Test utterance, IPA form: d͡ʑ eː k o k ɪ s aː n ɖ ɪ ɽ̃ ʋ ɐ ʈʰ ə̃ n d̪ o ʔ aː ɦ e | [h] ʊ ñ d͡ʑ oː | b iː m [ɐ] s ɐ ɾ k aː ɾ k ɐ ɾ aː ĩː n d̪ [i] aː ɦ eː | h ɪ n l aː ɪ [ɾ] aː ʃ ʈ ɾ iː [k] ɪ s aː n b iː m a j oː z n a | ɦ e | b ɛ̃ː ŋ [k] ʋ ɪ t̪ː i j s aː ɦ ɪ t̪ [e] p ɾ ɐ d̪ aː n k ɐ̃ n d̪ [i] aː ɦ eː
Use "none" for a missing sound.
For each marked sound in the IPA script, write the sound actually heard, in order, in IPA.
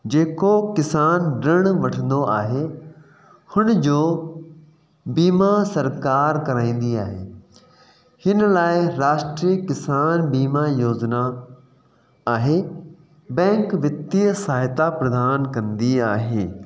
h, a, i, ɾ, k, k, a, i

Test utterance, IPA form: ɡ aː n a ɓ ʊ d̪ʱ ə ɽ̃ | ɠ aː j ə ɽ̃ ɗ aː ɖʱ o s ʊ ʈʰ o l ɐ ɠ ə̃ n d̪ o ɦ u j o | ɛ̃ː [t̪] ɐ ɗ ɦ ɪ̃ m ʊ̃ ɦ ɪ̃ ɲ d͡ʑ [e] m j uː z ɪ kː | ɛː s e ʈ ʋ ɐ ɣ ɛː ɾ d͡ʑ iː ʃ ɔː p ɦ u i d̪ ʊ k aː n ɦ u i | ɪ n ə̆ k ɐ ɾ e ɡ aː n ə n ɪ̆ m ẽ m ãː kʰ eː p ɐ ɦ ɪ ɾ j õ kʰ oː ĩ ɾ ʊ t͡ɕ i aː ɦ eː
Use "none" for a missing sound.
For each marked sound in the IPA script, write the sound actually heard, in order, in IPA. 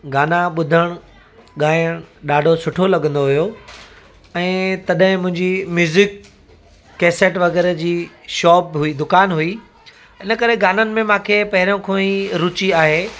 t̪, i

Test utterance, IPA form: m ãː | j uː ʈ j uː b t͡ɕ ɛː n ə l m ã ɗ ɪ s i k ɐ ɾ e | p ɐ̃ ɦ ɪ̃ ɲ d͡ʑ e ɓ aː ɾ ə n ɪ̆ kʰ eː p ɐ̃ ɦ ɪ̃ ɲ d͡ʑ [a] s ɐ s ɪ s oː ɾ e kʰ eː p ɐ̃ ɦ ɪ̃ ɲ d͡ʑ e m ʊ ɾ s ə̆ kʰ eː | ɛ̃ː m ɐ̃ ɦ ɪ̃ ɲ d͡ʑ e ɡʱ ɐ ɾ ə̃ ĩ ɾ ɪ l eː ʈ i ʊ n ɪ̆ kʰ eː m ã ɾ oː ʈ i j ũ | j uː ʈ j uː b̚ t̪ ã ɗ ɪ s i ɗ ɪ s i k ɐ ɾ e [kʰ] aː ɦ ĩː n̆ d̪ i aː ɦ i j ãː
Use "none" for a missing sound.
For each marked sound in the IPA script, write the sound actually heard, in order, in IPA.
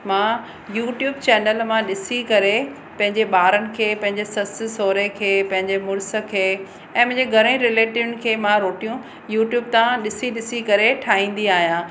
e, ʈʰ

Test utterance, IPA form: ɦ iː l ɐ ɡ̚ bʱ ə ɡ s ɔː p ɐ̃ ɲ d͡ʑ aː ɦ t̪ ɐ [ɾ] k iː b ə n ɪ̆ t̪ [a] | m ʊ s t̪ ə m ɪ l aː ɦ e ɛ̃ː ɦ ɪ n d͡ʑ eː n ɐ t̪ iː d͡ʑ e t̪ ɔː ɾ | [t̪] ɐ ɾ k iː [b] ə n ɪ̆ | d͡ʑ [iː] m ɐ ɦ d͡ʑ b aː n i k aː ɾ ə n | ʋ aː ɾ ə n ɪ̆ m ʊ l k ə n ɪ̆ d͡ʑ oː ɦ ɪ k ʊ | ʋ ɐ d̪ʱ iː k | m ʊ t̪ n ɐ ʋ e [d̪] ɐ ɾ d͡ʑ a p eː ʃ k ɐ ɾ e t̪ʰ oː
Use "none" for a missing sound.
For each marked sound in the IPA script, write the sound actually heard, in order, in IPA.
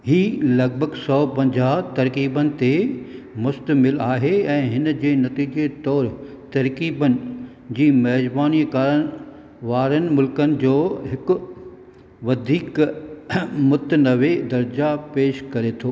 ɾ, e, t̪, b, iː, d̪

